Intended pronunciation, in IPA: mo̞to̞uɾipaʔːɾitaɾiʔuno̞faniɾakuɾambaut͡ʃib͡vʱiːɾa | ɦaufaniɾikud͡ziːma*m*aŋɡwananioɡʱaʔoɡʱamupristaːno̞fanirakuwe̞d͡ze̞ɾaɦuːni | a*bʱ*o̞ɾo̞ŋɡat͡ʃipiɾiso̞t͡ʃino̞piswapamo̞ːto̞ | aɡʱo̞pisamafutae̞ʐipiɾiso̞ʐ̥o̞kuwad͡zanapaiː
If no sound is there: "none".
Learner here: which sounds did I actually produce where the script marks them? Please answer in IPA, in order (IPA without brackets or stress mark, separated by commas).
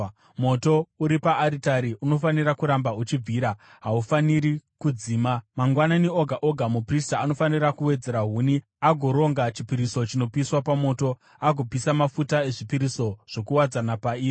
m, ɡʱ